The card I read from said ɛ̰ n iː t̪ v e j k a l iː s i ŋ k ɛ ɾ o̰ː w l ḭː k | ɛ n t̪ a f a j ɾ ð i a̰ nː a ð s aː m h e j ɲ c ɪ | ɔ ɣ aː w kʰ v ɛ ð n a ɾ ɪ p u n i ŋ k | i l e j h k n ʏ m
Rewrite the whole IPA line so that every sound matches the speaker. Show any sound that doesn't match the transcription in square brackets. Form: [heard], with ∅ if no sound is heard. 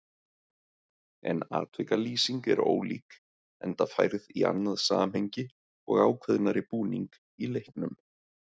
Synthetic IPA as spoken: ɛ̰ n [aː] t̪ v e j k a l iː s i ŋ k ɛ ɾ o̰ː w l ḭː k | ɛ n t̪ a f a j ɾ ð i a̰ nː a ð s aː m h e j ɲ c ɪ | ɔ ɣ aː w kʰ v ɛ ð n a ɾ ɪ p [uː] n i ŋ k | i l e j h k n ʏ m

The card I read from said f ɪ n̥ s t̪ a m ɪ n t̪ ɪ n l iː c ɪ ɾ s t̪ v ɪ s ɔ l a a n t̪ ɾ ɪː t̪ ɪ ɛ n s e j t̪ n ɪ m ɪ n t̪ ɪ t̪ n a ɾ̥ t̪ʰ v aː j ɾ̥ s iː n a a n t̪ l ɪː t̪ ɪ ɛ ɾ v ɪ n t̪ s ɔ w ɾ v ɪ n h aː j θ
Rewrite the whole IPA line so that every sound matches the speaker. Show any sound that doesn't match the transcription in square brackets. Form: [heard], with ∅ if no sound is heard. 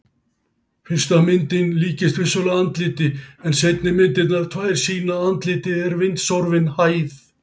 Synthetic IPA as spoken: f ɪ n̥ s t̪ a m ɪ n t̪ ɪ n l iː c ɪ [∅] s t̪ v ɪ s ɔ l a a n t̪ [l] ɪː t̪ ɪ ɛ n s e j t̪ n ɪ m ɪ n t̪ ɪ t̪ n a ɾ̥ t̪ʰ v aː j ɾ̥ s iː n a a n t̪ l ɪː t̪ ɪ ɛ ɾ v ɪ n t̪ s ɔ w ɾ v ɪ n h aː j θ

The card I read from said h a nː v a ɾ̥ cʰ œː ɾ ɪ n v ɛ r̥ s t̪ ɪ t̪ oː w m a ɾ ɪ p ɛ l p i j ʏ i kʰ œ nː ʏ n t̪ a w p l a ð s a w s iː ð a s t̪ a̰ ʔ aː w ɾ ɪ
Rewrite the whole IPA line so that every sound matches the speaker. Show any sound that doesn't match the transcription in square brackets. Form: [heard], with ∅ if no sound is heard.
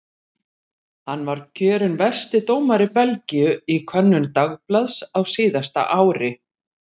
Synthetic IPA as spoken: h a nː v a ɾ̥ cʰ œː ɾ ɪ n v ɛ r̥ s t̪ ɪ t̪ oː w m a ɾ ɪ p ɛ l [c] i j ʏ i kʰ œ nː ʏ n t̪ a [ɣ] p l a ð s a w s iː ð a s t̪ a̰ ʔ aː w ɾ ɪ

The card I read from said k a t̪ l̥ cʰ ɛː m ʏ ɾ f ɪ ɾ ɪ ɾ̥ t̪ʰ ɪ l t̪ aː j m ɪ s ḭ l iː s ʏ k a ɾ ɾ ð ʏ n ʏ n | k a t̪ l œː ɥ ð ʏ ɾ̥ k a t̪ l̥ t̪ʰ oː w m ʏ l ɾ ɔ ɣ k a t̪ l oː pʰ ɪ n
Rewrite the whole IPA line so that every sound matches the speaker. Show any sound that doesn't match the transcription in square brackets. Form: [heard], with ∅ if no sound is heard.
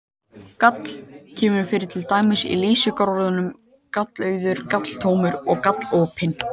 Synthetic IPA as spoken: k a t̪ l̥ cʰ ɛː m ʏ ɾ f ɪ ɾ ɪ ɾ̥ t̪ʰ ɪ l t̪ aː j m ɪ s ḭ l iː s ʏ k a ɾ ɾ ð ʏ n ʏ [m] | k a t̪ l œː ɥ ð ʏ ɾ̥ k a t̪ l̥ t̪ʰ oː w m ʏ [∅] ɾ ɔ ɣ k a t̪ l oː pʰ ɪ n

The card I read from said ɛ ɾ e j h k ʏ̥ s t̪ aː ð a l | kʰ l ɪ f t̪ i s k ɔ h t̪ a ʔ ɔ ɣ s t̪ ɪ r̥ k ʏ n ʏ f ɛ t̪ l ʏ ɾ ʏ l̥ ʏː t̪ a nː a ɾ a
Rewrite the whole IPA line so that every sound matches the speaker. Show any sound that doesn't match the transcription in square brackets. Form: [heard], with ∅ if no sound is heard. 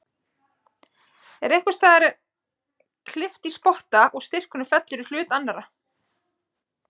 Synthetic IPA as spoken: ɛ ɾ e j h k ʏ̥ s t̪ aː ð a [ɾ] | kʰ l ɪ f t̪ i s [p] ɔ h t̪ a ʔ ɔ ɣ s t̪ ɪ r̥ k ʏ n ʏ f ɛ t̪ l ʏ ɾ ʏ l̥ ʏː t̪ a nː a ɾ a

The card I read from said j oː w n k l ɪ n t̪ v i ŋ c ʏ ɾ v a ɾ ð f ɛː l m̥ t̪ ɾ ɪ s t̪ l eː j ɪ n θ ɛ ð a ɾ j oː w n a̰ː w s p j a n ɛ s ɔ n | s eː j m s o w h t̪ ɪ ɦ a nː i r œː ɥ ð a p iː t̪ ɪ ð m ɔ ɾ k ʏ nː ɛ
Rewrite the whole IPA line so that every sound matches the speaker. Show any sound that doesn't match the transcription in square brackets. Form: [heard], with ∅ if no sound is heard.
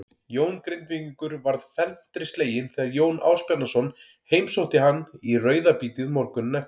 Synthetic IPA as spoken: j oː w n k [ɾ] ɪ n t̪ v i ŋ [k] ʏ ɾ v a ɾ ð f [ɛ] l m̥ t̪ ɾ ɪ s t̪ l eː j ɪ n θ ɛ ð a ɾ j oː w n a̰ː w s p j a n [a] s ɔ n | [h] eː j m s o w h t̪ ɪ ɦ a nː i r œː ɥ ð a p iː t̪ ɪ ð m ɔ ɾ k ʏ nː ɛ

